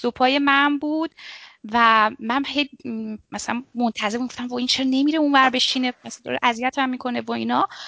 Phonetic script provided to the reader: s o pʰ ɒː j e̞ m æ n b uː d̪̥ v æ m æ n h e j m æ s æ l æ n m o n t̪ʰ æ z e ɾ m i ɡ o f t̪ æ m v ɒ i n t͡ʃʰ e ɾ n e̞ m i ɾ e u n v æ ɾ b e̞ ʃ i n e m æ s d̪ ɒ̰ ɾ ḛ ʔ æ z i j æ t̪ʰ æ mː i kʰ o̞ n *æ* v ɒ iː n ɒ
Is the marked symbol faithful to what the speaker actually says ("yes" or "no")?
no